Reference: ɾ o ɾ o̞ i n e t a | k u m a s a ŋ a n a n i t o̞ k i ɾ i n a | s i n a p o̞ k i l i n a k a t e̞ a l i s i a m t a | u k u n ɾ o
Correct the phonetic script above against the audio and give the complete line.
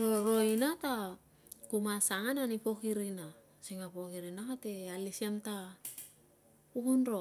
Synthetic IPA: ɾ o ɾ o̞ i n a t a | k u m a s a ŋ a n a n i p o̞ k i ɾ i n a | s i ŋ a p o̞ k i ɾ i n a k a t e̞ a l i s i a m t a | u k u n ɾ o